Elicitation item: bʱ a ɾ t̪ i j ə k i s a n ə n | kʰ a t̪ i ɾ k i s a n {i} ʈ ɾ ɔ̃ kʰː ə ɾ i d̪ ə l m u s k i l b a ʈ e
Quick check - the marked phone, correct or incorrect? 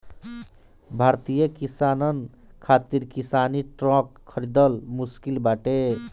correct